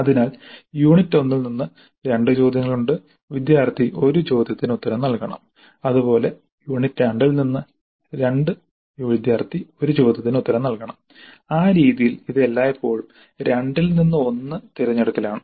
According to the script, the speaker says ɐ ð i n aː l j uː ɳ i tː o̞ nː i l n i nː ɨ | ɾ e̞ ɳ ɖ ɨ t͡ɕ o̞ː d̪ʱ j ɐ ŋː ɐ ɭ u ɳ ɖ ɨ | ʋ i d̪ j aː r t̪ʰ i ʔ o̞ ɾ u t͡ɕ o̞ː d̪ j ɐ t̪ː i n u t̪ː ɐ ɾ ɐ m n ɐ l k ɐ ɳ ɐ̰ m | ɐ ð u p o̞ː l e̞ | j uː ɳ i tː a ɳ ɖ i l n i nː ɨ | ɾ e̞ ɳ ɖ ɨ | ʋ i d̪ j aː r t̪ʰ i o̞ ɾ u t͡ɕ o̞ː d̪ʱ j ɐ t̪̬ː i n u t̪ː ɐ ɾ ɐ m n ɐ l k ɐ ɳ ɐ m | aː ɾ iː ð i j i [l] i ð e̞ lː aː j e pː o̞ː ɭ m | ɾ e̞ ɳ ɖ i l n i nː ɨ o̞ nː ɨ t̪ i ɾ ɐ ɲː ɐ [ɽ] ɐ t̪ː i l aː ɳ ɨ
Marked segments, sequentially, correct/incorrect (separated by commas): correct, correct